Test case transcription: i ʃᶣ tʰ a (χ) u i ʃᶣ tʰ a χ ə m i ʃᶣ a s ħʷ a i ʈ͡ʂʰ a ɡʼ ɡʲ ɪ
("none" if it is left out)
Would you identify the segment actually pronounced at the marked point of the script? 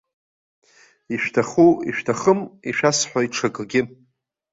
χ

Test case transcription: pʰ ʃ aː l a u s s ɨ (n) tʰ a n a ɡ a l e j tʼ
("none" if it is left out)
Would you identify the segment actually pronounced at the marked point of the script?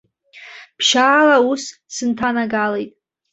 n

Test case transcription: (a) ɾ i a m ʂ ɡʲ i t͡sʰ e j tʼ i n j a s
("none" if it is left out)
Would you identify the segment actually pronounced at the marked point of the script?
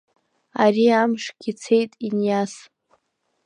a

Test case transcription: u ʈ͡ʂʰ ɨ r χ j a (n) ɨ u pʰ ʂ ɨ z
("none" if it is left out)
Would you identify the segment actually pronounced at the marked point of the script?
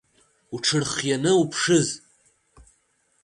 n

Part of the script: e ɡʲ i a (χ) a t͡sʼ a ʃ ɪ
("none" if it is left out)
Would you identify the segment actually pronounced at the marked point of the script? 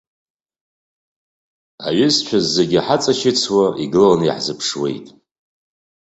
ħ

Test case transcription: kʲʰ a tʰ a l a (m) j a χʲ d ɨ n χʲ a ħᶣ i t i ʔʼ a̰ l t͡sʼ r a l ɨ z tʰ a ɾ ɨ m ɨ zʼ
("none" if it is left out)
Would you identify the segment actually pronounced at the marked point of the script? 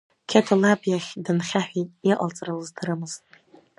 b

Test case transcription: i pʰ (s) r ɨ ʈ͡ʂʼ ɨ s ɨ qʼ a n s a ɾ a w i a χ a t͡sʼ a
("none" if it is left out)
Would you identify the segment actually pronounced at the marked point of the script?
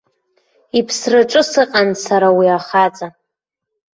s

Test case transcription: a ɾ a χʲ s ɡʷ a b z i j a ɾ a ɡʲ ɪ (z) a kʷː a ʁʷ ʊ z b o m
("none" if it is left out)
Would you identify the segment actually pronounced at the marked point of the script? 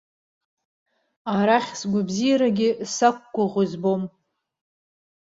s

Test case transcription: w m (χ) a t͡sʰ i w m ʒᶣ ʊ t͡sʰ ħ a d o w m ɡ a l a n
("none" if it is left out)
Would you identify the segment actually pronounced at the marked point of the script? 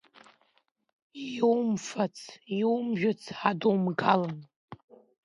f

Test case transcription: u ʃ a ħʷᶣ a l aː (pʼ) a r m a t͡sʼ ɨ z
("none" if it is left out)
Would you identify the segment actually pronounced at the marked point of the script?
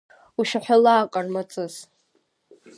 kʼ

